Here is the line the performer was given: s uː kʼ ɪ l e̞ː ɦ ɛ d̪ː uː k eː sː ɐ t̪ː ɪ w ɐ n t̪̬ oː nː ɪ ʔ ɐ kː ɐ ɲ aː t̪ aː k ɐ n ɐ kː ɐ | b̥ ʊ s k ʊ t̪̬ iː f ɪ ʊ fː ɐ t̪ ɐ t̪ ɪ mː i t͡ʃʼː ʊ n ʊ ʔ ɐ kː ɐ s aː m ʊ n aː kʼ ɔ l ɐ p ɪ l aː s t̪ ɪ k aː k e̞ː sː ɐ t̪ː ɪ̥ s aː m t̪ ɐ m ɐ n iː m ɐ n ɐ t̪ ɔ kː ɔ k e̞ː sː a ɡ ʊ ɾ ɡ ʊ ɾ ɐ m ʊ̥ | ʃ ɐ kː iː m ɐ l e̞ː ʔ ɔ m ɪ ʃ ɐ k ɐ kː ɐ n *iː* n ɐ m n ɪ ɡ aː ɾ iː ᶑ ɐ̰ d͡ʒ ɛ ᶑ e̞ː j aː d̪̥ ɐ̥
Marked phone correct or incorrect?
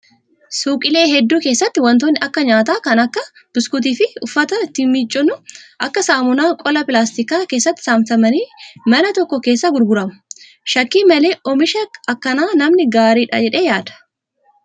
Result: incorrect